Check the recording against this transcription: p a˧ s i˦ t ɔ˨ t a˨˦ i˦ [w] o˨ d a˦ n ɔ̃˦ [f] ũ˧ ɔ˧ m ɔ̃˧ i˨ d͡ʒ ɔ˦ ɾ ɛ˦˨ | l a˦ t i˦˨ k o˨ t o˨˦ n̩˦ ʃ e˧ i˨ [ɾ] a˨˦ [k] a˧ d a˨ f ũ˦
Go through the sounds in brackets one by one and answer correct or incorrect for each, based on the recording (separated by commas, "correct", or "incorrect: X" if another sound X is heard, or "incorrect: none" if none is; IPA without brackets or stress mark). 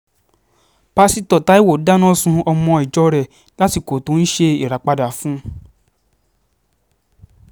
correct, incorrect: s, correct, incorrect: k͡p